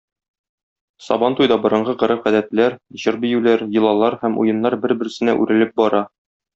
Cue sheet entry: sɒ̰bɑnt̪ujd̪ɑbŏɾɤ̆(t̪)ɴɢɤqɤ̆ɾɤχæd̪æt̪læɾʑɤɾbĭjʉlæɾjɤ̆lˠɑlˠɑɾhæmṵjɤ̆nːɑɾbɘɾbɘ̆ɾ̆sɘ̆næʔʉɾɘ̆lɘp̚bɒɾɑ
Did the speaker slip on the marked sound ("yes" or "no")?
yes